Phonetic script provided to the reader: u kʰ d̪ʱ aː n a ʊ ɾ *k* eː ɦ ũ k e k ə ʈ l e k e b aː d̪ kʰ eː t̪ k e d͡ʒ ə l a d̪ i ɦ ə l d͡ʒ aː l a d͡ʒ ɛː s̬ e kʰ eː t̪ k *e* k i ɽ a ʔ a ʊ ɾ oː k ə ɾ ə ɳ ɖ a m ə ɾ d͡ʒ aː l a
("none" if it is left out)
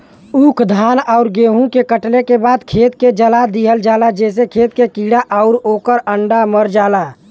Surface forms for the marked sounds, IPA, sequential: ɡ, e

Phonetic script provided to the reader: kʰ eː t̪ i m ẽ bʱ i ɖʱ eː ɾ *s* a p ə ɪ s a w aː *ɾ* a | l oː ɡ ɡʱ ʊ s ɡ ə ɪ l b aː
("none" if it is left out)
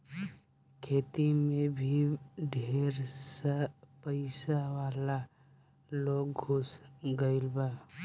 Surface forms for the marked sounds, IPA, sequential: s, l

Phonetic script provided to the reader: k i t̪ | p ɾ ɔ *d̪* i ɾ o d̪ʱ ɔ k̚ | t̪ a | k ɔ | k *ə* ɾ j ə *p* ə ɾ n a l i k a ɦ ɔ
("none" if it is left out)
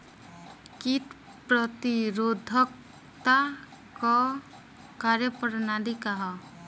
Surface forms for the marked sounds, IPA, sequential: t̪, a, p

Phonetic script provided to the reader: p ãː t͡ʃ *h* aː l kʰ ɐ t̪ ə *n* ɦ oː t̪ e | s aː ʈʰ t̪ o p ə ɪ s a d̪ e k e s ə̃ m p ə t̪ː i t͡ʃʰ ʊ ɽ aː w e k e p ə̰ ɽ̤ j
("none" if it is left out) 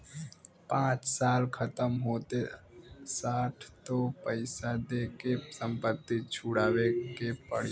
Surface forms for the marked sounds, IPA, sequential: s, m

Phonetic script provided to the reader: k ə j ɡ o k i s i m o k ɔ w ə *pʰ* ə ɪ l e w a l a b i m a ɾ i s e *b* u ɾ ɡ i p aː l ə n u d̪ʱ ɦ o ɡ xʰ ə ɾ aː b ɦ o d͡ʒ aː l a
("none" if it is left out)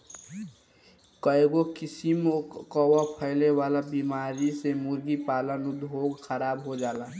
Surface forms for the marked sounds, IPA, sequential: pʰ, m

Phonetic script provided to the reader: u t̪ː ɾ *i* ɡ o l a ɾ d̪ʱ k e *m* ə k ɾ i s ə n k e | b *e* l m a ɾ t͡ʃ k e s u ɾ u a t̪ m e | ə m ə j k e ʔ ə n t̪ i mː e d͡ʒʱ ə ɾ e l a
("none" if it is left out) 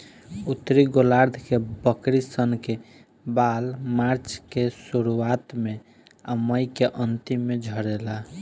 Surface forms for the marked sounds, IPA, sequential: i, b, a

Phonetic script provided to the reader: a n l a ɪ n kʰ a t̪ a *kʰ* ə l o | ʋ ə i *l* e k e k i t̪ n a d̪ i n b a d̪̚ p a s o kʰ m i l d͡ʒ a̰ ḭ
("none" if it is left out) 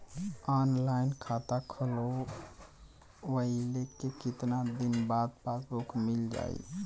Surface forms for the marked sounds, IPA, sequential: kʰ, l

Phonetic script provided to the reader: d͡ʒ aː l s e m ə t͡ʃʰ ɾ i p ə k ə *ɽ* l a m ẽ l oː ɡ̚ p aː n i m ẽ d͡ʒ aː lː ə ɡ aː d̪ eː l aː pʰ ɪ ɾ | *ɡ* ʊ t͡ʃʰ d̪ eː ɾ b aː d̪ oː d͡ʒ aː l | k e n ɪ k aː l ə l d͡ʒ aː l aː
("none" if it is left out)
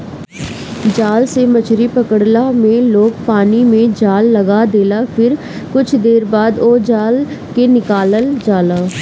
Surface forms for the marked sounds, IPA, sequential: ɽ, k

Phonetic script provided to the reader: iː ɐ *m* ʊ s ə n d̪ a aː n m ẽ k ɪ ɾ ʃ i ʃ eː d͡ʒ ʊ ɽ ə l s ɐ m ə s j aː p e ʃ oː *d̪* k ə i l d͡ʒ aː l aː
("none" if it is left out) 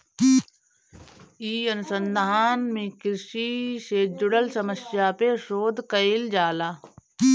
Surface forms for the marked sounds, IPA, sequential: n, d̪

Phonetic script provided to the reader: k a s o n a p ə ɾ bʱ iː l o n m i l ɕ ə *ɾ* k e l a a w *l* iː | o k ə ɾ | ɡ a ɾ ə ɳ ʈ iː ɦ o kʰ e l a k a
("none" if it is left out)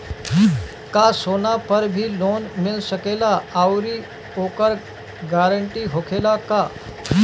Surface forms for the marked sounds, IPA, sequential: none, ɾ

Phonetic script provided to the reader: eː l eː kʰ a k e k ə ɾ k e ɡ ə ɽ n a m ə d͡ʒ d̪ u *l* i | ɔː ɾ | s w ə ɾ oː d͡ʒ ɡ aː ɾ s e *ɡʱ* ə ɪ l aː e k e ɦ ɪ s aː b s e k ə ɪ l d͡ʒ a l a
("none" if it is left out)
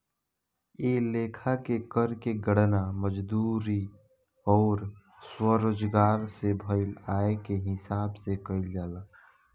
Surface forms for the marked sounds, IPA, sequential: ɾ, bʱ

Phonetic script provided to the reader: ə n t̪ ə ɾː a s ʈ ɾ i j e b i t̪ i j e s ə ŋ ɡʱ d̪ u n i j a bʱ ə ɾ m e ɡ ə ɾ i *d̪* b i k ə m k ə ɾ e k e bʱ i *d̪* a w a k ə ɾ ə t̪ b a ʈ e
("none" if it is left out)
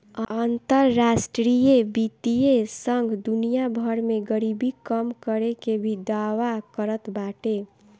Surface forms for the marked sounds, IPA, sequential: none, d̪

